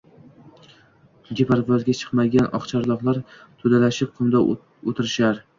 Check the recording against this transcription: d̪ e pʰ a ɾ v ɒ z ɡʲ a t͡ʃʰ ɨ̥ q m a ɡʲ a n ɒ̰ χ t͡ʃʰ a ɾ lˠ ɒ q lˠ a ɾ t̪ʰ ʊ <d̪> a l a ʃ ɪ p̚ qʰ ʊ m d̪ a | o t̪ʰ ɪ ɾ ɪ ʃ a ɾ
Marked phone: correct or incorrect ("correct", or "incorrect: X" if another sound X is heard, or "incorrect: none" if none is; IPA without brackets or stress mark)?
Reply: correct